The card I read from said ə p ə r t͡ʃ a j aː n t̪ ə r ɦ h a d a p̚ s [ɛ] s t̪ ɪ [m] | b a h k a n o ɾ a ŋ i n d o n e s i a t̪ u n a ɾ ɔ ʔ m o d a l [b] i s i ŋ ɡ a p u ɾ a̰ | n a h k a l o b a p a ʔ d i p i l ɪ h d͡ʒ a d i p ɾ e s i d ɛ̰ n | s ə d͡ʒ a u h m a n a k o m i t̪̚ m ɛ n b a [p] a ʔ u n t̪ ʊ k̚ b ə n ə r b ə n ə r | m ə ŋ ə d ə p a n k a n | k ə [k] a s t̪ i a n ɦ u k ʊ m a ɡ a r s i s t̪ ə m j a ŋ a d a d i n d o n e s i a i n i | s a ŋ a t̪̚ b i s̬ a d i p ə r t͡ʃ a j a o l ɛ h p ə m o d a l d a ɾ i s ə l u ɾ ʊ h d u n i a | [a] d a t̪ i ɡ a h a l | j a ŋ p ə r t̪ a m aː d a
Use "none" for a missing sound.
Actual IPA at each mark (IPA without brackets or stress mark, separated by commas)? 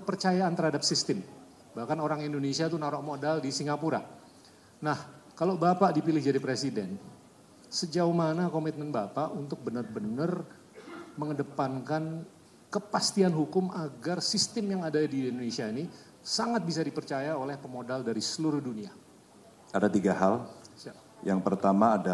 i, m, d, p, p, a